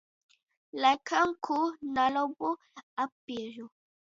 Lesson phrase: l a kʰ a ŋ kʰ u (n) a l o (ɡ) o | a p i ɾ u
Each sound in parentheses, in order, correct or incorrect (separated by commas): correct, incorrect